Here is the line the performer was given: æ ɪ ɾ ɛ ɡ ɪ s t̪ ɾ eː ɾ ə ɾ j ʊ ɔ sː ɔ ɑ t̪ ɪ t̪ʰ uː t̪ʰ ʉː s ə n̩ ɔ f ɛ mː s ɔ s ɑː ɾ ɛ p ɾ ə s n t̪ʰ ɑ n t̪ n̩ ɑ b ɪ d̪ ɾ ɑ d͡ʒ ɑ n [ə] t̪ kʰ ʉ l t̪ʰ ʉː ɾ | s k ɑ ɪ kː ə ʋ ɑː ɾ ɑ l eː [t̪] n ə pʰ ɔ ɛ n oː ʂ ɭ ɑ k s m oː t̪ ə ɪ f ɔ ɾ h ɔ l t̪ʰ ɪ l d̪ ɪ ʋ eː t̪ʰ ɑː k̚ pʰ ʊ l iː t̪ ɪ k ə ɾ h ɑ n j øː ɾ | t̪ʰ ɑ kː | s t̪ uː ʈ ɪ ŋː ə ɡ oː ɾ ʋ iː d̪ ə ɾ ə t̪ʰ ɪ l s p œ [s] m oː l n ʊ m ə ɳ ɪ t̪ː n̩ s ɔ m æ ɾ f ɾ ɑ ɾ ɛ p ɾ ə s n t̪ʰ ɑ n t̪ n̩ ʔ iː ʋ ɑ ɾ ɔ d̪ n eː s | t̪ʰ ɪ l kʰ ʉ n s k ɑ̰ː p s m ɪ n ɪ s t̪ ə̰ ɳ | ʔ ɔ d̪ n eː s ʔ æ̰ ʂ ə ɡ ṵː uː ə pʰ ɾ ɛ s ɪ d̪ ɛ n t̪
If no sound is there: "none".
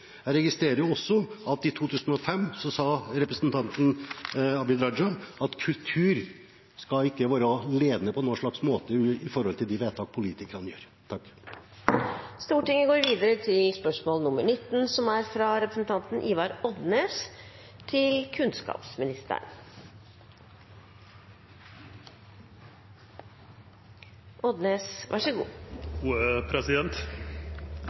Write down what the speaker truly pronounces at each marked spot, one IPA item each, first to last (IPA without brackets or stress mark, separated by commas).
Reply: ɑ, d̪, ʂ